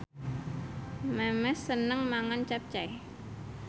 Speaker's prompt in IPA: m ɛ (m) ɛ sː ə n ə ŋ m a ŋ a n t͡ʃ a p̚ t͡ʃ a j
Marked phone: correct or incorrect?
correct